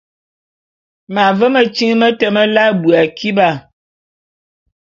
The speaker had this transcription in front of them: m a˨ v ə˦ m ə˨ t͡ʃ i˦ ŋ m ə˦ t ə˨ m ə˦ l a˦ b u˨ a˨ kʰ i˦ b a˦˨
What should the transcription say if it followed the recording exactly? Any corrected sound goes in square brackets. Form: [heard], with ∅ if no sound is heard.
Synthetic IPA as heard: m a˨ v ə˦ m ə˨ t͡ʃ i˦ ŋ m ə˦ t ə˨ m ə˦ l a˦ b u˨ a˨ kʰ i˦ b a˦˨